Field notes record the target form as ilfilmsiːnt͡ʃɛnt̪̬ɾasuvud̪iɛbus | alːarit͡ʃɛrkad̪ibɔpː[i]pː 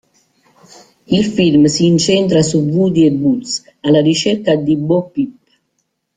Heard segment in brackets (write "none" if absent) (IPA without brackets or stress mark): i